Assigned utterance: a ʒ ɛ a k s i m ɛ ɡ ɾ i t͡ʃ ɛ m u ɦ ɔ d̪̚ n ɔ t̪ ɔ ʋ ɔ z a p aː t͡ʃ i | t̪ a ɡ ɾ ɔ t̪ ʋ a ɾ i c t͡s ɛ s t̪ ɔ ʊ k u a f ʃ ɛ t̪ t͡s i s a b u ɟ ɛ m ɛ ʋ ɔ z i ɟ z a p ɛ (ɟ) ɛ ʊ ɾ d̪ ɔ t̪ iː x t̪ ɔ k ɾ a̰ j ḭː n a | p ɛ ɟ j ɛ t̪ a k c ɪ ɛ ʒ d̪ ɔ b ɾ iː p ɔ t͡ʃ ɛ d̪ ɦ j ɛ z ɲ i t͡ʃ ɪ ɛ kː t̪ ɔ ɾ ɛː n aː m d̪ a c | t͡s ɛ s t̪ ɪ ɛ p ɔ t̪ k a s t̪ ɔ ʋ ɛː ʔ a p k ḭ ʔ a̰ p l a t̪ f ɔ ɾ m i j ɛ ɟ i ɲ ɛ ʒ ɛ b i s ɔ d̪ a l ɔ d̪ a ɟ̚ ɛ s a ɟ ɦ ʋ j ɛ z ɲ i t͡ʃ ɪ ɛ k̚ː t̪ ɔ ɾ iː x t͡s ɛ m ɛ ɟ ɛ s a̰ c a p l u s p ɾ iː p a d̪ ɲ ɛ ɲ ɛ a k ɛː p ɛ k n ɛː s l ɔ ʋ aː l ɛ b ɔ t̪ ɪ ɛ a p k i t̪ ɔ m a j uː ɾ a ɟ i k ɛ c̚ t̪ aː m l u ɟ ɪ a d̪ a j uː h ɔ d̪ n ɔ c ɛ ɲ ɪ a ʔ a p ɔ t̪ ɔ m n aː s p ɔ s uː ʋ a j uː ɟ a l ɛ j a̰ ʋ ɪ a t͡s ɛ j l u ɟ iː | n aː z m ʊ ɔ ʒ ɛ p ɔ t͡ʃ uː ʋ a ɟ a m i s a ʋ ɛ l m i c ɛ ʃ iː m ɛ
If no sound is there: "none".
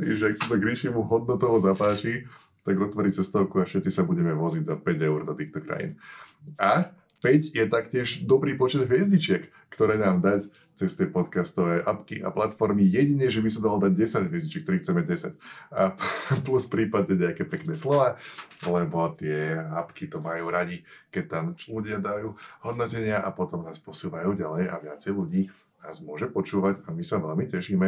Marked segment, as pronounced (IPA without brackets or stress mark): ɟ